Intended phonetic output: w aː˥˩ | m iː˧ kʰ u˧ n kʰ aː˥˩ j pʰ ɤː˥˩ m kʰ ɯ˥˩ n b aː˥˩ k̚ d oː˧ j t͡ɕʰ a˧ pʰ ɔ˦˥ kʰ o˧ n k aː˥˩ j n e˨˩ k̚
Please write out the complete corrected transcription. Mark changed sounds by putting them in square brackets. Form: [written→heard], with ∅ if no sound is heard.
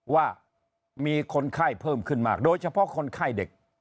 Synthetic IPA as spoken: w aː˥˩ | m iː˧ kʰ [u˧→o˧] n kʰ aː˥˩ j pʰ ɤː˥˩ m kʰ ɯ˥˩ n [b→m] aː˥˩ k̚ d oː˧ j t͡ɕʰ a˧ pʰ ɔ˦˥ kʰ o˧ n [k→kʰ] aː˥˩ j [n→d] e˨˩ k̚